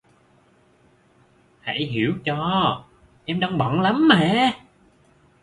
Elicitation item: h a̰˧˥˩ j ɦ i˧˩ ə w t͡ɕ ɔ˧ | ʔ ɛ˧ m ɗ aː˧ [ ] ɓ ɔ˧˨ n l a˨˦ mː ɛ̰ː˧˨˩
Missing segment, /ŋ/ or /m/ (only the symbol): ŋ